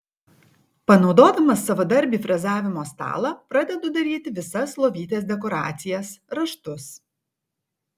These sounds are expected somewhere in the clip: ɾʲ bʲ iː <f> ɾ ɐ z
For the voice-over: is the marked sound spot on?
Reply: yes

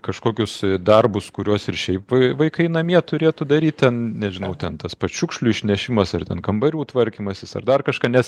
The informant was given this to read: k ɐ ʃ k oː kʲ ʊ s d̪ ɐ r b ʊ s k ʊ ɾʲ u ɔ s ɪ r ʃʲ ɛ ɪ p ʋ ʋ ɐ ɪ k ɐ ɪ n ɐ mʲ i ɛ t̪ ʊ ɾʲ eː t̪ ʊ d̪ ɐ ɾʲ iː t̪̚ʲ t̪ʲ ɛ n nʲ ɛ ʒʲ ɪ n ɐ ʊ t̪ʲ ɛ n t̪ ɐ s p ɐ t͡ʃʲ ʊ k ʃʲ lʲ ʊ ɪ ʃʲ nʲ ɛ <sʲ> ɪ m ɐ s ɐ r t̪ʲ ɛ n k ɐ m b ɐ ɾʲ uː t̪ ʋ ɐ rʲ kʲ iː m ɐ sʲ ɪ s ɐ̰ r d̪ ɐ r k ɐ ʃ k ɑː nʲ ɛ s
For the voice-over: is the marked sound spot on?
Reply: no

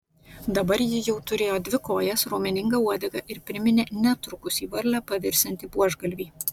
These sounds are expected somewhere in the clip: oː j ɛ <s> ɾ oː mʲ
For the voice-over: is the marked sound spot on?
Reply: yes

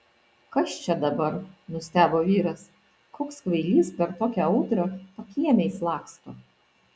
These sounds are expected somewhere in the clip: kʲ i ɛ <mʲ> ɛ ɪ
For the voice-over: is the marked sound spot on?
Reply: yes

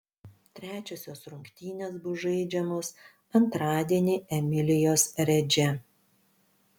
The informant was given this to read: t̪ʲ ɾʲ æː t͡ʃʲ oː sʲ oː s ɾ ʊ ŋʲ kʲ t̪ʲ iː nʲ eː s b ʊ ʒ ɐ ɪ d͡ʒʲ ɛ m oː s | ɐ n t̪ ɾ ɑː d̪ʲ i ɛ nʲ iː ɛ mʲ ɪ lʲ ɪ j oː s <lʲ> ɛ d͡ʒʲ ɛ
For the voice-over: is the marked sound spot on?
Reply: no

